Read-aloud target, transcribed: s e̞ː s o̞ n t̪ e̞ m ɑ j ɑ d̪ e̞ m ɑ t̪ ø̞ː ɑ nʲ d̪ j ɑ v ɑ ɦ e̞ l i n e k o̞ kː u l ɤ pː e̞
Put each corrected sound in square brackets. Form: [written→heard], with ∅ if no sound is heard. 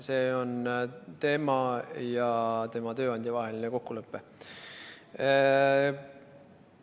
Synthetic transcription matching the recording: s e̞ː [s→∅] o̞ n t̪ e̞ m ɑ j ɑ [d̪→t̪] e̞ m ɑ t̪ ø̞ː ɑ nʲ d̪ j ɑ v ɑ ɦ e̞ l i n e k o̞ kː u l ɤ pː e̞